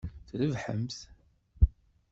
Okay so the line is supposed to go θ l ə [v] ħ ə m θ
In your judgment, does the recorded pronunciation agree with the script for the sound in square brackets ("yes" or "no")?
yes